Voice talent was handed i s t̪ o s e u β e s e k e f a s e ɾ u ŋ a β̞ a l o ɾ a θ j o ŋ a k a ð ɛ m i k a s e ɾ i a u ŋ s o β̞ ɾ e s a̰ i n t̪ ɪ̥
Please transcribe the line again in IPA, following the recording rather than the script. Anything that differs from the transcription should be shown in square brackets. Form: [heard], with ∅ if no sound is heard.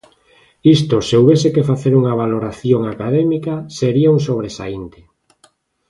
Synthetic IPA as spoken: i s t̪ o s e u β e s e k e f a [θ] e ɾ u ŋ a β̞ a l o ɾ a θ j o ŋ a k a ð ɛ m i k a s e ɾ i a u ŋ s o β̞ ɾ e s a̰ i n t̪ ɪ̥